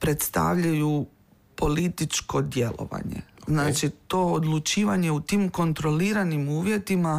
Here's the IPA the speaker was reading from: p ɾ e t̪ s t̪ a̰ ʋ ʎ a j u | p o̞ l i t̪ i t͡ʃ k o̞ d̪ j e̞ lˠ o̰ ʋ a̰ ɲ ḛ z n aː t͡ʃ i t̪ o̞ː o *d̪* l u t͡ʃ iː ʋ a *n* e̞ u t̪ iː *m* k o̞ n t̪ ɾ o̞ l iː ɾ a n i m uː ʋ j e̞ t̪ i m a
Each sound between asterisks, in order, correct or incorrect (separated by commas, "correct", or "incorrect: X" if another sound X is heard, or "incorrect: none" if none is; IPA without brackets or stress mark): correct, incorrect: ɲ, correct